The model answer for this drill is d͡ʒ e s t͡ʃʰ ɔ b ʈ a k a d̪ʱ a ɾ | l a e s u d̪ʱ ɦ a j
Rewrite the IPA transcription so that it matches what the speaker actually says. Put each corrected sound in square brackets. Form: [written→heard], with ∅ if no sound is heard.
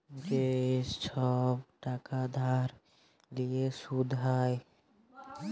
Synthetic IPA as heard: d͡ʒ e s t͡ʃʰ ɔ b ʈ a k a d̪ʱ a ɾ | l [a→i] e s u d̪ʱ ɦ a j